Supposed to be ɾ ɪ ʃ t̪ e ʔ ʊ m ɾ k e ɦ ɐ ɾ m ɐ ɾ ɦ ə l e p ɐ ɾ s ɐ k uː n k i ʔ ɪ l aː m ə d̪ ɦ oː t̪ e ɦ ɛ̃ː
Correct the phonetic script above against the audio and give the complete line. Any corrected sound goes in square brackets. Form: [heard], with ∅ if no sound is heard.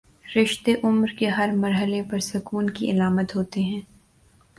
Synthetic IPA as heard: ɾ ɪ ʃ t̪ e ʔ ʊ m ɾ k e ɦ ɐ ɾ m ɐ ɾ ɦ ə l e p ɐ ɾ s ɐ k uː n k i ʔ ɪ l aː m ə [t̪] ɦ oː t̪ e ɦ ɛ̃ː